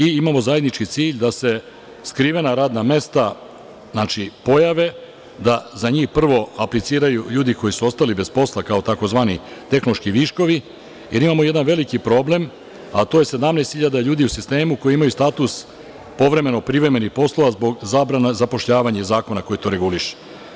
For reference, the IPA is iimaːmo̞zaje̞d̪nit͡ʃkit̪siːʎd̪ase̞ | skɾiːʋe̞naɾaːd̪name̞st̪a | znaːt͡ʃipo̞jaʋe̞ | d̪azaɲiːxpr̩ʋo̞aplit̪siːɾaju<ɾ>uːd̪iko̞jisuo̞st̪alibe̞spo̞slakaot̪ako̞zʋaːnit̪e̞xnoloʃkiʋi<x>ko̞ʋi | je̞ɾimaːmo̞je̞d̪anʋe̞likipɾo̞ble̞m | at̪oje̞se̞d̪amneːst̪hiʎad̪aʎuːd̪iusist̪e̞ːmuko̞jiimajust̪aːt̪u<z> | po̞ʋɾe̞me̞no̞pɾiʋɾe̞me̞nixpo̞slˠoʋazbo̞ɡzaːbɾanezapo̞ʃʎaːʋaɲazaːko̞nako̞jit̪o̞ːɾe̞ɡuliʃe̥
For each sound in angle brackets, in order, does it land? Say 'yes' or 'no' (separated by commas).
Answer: no, no, no